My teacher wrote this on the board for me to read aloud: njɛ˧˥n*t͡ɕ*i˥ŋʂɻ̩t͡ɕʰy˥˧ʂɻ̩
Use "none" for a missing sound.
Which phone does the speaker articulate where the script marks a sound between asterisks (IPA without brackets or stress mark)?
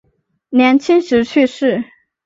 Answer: t͡ɕʰ